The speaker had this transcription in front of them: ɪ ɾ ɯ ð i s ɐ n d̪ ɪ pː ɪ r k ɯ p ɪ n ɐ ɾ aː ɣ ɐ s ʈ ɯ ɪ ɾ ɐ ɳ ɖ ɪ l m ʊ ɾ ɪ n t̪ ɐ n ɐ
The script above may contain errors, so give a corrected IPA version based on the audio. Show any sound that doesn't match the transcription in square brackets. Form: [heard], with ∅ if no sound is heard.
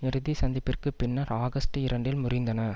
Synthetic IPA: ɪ ɾ ɯ ð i s ɐ n d̪ ɪ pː ɪ r k ɯ p ɪ [nː] ɐ ɾ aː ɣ ɐ s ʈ ɯ ɪ ɾ ɐ ɳ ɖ ɪ l m ʊ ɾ ɪ n [d̪] ɐ n ɐ

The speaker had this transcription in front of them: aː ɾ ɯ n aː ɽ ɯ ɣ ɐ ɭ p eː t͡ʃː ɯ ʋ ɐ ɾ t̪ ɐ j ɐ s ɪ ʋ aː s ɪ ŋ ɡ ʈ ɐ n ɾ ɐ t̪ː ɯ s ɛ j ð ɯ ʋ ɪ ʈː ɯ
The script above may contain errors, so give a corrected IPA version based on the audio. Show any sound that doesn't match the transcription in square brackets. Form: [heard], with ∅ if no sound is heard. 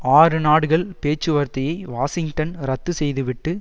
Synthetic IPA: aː ɾ ɯ n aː ɽ ɯ ɣ ɐ ɭ p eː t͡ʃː ɯ ʋ ɐ ɾ t̪ ɐ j ɐ [∅] ɪ ʋ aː s ɪ ŋ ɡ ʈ ɐ n ɾ ɐ t̪ː ɯ s ɛ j ð ɯ ʋ ɪ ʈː ɯ

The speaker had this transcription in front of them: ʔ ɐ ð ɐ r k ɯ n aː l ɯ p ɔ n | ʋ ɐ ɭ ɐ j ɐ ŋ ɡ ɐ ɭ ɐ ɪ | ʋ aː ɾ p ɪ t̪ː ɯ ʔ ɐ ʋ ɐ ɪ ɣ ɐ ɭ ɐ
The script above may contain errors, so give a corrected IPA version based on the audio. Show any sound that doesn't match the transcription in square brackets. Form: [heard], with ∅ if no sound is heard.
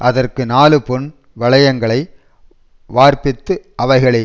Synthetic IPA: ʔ ɐ ð ɐ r k ɯ n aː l ɯ p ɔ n | ʋ ɐ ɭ ɐ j ɐ ŋ ɡ ɐ ɭ ɐ ɪ | ʋ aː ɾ p ɪ t̪ː ɯ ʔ ɐ ʋ ɐ ɪ ɣ ɐ ɭ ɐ

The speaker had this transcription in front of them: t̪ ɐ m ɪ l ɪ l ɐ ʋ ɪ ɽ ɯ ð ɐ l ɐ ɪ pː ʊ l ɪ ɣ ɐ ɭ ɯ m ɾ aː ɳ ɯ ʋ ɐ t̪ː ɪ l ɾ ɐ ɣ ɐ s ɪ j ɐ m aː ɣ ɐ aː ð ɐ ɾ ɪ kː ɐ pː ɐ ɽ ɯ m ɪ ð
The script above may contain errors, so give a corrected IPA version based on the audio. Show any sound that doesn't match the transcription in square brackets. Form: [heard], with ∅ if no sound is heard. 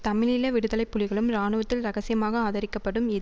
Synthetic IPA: t̪ ɐ m ɪ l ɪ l ɐ ʋ ɪ ɽ ɯ ð ɐ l ɐ ɪ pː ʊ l ɪ ɣ ɐ ɭ ɯ m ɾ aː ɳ ɯ ʋ ɐ t̪ː ɪ l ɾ ɐ ɣ ɐ s ɪ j ɐ m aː ɣ ɐ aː ð ɐ ɾ ɪ kː ɐ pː ɐ ɽ ɯ m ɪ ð

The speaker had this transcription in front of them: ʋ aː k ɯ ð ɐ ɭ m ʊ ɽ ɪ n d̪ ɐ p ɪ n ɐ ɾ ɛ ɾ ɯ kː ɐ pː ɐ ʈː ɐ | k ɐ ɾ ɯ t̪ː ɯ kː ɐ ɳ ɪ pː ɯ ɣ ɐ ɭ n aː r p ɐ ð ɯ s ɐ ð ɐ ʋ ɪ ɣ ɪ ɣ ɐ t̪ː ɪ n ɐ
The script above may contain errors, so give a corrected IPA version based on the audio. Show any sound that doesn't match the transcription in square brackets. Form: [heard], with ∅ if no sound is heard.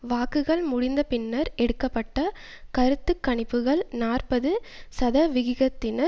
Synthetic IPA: ʋ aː k ɯ [ɣ] ɐ ɭ m ʊ ɽ ɪ n d̪ ɐ p ɪ [nː] ɐ ɾ ɛ [ɽ] ɯ kː ɐ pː ɐ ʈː ɐ | k ɐ ɾ ɯ t̪ː ɯ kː ɐ ɳ ɪ pː ɯ ɣ ɐ ɭ n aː r p ɐ ð ɯ s ɐ ð ɐ ʋ ɪ ɣ ɪ ɣ ɐ t̪ː ɪ n ɐ

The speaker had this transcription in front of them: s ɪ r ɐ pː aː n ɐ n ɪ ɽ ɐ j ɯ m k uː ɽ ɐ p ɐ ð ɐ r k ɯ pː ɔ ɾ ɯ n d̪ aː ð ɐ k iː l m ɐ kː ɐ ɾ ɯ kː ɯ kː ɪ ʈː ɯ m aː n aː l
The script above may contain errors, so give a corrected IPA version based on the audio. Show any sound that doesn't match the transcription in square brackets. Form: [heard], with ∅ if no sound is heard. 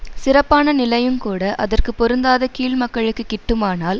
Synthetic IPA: s ɪ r ɐ pː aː n ɐ n ɪ [l] ɐ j ɯ m k uː ɽ ɐ [ʔ] ɐ ð ɐ r k ɯ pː ɔ ɾ ɯ n d̪ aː ð ɐ k iː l m ɐ kː ɐ [ɭ] ɯ kː ɯ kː ɪ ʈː ɯ m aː n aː l

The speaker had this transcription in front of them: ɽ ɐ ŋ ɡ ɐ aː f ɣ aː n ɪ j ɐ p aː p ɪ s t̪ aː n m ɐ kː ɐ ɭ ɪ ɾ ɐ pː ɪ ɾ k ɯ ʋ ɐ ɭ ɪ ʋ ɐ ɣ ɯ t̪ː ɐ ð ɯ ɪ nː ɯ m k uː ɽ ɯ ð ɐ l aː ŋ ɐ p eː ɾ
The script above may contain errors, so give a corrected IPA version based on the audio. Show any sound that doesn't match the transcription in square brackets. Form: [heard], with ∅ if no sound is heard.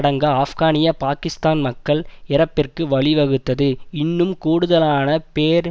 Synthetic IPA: ɽ ɐ ŋ ɡ ɐ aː f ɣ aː n ɪ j ɐ p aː [k] ɪ s t̪ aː n m ɐ kː ɐ ɭ ɪ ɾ ɐ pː ɪ [r] k ɯ ʋ ɐ ɭ ɪ ʋ ɐ ɣ ɯ t̪ː ɐ ð ɯ ɪ nː ɯ m k uː ɽ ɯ ð ɐ l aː [n] ɐ p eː ɾ

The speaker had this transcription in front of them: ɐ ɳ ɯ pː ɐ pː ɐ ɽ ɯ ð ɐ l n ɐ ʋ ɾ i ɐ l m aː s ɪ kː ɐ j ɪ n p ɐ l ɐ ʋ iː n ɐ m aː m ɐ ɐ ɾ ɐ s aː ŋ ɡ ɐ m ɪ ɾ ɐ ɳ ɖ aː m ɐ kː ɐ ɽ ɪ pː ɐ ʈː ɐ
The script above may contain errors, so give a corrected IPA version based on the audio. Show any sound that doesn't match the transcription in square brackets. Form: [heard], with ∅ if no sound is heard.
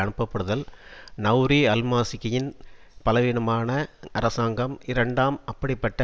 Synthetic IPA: ɐ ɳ ɯ pː ɐ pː ɐ ɽ ɯ ð ɐ l n ɐ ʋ ɾ i ɐ l m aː s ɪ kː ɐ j ɪ n p ɐ l ɐ ʋ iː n ɐ m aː [n] ɐ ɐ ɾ ɐ s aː ŋ ɡ ɐ m ɪ ɾ ɐ ɳ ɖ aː m ɐ [pː] ɐ ɽ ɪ pː ɐ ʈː ɐ

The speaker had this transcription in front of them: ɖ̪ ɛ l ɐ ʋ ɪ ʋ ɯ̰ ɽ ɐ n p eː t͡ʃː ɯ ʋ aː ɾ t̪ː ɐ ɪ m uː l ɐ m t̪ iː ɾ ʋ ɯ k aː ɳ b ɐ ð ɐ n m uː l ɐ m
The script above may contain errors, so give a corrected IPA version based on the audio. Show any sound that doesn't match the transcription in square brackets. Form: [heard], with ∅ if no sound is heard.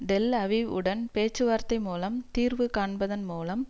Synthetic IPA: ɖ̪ ɛ l ɐ ʋ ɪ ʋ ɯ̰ ɽ ɐ n p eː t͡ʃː ɯ ʋ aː ɾ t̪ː ɐ ɪ m uː l ɐ m t̪ iː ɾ ʋ ɯ k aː ɳ b ɐ ð ɐ n m uː l ɐ m

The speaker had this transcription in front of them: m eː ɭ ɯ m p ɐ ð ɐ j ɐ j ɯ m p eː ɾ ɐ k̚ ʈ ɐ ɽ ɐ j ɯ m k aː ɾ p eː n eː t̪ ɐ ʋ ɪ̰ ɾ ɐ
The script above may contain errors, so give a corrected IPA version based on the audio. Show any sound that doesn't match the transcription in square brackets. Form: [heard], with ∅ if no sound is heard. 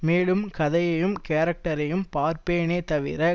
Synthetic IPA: m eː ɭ ɯ m [k] ɐ ð ɐ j ɐ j ɯ m [k] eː ɾ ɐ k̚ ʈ ɐ [ɾ] ɐ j ɯ m [p] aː ɾ p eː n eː t̪ ɐ ʋ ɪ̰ ɾ ɐ

